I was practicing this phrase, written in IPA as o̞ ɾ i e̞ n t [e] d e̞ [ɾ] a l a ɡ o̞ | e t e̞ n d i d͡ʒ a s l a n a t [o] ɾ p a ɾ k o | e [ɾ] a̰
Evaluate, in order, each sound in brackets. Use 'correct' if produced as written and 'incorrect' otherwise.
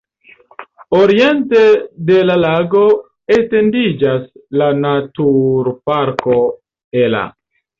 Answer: correct, incorrect: l, incorrect: u, incorrect: l

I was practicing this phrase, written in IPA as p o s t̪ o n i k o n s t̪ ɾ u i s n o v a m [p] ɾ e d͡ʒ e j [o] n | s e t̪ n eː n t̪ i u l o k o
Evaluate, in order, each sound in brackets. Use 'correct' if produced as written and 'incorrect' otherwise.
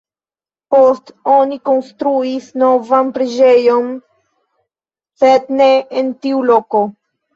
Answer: correct, correct

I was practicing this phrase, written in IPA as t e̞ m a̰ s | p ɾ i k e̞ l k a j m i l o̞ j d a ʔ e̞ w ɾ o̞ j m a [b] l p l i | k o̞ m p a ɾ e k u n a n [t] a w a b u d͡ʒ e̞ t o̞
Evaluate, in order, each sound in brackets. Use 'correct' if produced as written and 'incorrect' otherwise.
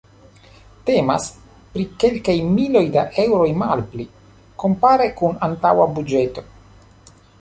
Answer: incorrect: none, correct

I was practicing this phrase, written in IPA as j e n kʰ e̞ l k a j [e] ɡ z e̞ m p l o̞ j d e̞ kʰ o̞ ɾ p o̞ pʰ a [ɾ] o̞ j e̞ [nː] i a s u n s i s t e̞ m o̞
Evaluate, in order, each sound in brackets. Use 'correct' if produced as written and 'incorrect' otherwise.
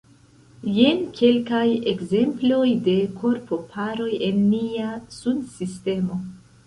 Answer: correct, correct, correct

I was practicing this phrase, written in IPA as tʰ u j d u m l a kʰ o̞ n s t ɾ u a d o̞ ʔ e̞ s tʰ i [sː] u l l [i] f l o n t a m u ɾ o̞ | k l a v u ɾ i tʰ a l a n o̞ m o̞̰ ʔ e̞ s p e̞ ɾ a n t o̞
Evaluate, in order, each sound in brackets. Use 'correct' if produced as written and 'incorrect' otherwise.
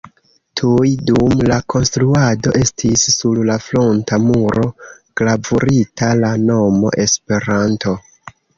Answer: correct, incorrect: a

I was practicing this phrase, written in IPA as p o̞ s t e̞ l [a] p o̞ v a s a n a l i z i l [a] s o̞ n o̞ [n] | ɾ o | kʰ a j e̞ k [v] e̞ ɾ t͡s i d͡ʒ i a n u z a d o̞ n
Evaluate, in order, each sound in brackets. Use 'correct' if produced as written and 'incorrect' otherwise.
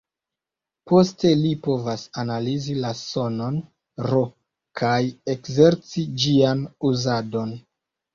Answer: incorrect: i, correct, correct, incorrect: z

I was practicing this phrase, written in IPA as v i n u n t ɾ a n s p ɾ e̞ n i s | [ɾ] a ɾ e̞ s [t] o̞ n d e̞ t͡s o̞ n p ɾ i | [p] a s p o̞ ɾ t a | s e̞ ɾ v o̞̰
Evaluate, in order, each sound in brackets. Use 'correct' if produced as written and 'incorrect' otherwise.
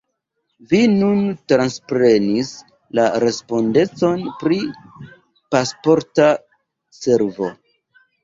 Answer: incorrect: l, incorrect: p, correct

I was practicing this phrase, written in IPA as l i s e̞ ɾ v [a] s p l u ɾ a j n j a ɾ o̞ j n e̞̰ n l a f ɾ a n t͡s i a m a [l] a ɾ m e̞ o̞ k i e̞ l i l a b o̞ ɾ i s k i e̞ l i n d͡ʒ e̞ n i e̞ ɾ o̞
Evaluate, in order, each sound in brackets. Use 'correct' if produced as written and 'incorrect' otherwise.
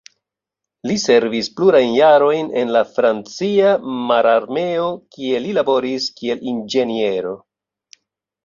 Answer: incorrect: i, incorrect: ɾ

